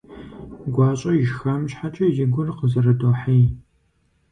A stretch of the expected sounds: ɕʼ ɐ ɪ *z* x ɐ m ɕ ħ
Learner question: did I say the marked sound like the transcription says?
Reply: no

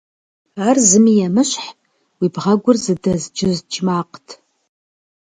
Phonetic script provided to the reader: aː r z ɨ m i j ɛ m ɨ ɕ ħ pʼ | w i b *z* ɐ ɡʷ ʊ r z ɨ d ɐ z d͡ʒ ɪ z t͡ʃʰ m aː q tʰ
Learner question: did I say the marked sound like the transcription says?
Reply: no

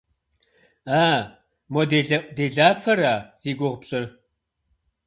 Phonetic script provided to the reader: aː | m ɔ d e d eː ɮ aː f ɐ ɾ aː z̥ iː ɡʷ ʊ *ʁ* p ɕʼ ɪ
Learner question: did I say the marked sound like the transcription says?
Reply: yes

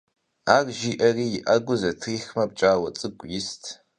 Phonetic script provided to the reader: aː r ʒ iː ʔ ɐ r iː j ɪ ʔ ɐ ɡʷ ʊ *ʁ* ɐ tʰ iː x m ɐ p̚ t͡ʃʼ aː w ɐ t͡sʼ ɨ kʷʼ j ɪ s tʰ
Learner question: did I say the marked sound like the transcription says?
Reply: no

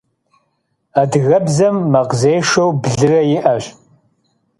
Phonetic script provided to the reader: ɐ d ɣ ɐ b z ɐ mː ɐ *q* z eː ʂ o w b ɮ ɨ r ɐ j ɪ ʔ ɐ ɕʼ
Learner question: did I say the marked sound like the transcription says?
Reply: yes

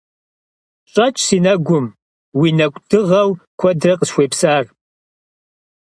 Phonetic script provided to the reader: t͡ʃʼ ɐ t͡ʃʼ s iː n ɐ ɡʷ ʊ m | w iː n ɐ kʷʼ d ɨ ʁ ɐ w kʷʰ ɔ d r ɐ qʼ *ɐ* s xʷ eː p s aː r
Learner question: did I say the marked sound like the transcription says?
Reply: no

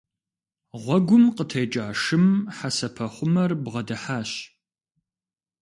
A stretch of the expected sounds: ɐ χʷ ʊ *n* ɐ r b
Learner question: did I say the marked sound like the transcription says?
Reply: no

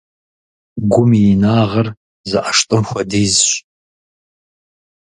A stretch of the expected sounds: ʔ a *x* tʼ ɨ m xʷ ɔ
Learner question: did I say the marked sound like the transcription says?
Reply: no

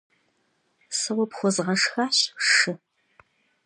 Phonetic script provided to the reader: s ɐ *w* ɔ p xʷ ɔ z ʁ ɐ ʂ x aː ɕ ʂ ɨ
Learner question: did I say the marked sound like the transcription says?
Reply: yes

